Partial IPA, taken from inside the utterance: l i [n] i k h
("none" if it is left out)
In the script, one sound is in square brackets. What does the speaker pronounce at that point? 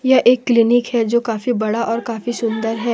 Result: n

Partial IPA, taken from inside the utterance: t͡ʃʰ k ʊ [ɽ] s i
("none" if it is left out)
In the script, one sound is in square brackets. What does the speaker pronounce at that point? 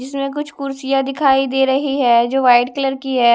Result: ɾ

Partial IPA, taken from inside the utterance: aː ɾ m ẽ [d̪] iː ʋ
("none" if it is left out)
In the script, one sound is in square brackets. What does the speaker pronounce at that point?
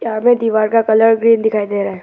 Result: d̪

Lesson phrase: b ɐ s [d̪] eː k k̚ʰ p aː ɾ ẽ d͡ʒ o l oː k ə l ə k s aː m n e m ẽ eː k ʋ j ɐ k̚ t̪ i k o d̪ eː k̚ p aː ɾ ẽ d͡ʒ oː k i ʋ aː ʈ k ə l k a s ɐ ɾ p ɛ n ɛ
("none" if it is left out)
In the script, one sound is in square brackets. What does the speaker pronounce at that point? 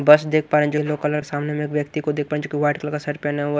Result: d̪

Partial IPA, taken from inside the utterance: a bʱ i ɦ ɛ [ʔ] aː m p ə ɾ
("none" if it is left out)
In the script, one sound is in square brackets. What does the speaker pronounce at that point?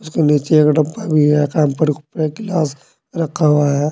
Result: k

